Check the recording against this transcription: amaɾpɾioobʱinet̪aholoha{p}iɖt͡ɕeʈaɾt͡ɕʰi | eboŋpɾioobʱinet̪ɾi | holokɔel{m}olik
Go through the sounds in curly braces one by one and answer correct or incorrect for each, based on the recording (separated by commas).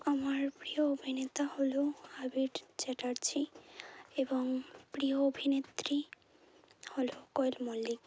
incorrect, correct